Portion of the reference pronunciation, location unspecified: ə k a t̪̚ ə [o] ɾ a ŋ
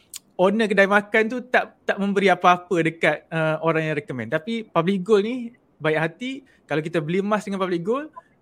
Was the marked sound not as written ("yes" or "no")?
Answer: no